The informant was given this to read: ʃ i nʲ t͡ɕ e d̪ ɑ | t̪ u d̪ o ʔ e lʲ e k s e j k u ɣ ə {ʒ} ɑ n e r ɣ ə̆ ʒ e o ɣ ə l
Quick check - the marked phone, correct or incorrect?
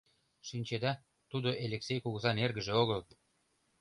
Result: incorrect